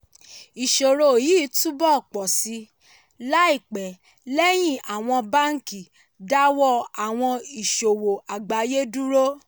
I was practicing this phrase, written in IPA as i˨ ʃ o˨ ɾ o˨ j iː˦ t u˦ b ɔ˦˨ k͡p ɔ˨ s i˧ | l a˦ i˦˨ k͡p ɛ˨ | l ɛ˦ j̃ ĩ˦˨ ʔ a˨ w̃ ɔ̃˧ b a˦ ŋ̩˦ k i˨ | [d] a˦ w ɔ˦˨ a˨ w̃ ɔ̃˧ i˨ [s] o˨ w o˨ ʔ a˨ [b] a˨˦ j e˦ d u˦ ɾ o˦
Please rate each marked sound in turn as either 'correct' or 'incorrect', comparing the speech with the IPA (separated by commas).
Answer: correct, incorrect, incorrect